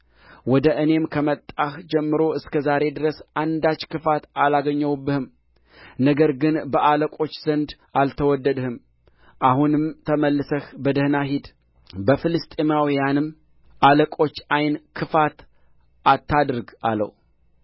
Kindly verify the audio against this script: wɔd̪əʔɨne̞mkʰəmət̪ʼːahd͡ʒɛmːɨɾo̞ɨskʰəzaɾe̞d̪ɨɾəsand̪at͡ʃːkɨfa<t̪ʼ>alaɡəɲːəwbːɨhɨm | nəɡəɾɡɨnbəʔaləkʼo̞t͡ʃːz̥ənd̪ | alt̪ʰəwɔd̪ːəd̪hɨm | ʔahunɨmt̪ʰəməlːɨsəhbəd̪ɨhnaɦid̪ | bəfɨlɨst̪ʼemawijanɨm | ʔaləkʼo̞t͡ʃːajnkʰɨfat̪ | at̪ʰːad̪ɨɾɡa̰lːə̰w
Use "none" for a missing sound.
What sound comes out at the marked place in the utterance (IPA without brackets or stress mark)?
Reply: t̪